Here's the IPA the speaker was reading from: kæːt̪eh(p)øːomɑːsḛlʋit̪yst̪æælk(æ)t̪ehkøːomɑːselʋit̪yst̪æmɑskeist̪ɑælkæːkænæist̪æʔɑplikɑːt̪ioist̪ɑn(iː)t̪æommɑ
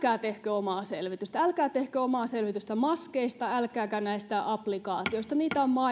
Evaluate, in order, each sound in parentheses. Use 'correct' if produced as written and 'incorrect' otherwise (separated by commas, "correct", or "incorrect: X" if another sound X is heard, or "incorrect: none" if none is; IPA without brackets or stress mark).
incorrect: k, incorrect: æː, correct